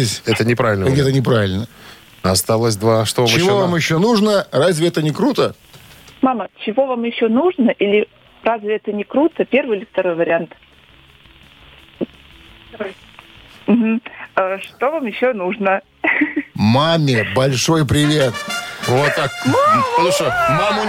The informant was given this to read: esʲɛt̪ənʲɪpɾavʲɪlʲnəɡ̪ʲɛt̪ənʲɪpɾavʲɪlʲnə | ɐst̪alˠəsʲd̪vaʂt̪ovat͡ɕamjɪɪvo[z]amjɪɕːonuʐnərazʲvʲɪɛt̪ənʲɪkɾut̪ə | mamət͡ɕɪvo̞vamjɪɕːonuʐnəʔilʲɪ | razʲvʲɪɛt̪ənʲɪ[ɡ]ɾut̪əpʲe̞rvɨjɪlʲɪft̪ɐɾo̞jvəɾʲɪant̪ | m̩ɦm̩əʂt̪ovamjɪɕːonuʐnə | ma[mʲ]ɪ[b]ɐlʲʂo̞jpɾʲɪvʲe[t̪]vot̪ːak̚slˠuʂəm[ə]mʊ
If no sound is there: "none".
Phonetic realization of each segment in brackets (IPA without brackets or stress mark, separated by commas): v, k, mʲ, b, t̪, a